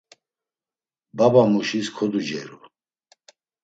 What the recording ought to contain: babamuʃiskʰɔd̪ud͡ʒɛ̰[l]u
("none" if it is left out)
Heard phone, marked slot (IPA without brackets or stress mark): ɾ